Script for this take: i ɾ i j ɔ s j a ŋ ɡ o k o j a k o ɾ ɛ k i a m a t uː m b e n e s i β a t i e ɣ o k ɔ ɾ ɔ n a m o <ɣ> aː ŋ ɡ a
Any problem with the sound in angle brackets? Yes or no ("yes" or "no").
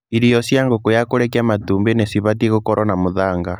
yes